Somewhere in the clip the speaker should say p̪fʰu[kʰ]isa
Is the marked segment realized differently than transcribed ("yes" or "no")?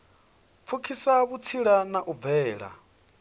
no